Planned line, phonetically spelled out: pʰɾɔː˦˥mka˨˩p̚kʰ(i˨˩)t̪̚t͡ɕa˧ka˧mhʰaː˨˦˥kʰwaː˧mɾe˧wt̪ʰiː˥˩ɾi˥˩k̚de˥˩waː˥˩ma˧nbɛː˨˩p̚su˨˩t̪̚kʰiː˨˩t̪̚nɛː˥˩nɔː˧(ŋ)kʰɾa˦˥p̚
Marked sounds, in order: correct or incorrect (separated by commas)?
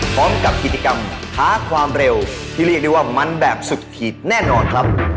correct, incorrect